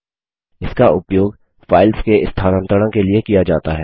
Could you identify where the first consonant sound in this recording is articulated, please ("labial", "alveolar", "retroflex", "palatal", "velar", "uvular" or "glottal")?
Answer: alveolar